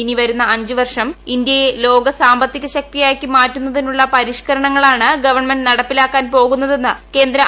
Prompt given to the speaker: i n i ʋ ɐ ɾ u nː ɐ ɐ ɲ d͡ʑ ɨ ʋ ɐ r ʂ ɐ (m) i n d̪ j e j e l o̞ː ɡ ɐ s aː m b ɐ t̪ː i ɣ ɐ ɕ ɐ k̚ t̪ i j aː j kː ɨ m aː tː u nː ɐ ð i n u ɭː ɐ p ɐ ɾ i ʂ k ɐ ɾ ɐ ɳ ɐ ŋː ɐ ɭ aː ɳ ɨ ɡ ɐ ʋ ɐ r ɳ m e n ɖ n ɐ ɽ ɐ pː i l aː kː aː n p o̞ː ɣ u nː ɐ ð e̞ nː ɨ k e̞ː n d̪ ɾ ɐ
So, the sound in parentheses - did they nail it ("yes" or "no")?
yes